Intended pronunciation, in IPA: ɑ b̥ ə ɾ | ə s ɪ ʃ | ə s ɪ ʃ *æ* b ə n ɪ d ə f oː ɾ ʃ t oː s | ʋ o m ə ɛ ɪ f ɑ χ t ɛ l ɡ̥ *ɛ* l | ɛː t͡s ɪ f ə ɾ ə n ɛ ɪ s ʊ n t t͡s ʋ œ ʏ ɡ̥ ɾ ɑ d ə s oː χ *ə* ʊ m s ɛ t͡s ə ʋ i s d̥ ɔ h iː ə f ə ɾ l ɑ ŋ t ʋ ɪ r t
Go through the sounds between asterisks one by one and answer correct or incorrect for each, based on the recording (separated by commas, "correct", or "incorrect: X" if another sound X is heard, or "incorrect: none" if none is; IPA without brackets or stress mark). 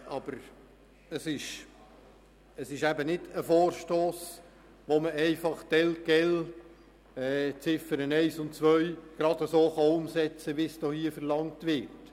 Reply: correct, correct, incorrect: ɑ